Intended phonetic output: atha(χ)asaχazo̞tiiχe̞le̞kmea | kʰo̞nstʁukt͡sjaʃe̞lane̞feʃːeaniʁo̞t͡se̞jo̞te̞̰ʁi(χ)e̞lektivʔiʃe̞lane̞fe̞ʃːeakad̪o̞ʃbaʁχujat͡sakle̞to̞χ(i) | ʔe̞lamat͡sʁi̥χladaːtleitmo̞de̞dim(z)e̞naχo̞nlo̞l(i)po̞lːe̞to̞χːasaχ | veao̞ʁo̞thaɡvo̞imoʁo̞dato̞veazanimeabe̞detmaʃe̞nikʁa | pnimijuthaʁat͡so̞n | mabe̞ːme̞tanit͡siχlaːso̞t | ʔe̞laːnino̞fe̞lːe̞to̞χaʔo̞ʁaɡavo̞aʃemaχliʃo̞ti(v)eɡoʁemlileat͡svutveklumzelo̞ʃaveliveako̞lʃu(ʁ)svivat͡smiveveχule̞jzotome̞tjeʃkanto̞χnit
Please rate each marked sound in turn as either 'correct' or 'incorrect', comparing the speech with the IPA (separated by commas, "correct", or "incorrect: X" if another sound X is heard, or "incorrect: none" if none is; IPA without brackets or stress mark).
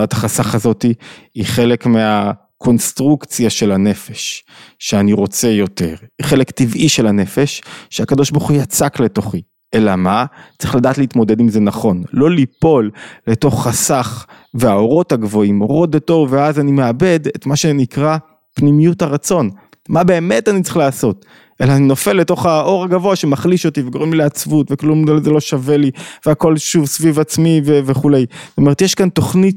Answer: correct, correct, correct, correct, correct, correct, incorrect: v